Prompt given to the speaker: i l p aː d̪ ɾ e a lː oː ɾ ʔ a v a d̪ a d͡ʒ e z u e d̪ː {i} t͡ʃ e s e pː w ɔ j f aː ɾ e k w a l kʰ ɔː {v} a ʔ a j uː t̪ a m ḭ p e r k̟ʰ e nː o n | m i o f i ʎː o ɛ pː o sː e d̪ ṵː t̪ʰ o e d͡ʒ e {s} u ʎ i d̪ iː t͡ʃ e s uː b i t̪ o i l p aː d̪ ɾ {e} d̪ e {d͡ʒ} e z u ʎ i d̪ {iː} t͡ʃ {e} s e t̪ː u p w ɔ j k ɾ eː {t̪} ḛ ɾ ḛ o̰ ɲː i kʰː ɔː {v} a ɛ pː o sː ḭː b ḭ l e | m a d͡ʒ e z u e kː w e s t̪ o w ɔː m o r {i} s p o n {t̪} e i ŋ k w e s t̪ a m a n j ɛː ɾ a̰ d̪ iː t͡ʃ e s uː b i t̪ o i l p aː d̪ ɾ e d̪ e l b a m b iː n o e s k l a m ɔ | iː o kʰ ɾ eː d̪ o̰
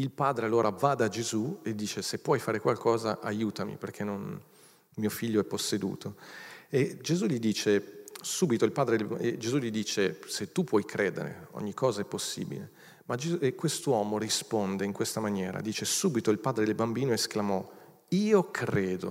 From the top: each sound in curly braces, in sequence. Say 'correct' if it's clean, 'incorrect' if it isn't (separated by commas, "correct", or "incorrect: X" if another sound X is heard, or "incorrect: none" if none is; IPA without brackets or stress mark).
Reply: incorrect: iː, incorrect: z, incorrect: z, correct, correct, correct, correct, incorrect: d̪, incorrect: z, correct, incorrect: d̪